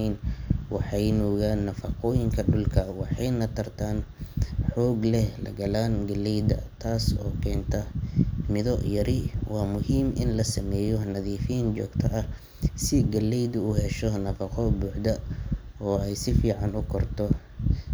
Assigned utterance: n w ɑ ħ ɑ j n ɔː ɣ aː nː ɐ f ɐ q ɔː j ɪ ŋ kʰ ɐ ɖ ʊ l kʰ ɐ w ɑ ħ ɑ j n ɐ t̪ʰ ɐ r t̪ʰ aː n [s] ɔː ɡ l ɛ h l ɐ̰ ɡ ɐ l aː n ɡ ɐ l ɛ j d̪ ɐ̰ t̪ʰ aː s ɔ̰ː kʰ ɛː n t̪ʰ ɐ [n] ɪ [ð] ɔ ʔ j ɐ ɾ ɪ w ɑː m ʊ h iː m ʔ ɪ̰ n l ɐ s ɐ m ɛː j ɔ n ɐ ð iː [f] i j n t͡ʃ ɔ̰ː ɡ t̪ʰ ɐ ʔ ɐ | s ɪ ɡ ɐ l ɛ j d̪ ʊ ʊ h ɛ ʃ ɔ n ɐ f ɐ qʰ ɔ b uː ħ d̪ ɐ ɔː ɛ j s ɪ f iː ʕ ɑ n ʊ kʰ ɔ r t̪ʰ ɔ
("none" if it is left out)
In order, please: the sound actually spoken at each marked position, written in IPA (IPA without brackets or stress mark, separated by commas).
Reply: ħ, m, ð, f